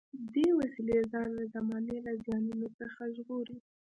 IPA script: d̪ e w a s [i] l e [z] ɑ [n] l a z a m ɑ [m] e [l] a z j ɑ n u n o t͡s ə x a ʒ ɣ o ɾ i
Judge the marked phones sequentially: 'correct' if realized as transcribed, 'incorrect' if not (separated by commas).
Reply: correct, correct, correct, incorrect, correct